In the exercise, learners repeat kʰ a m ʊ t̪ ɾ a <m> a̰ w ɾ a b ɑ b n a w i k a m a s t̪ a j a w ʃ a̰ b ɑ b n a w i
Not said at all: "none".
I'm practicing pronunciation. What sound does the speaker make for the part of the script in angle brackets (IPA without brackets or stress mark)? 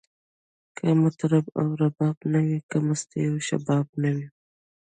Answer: b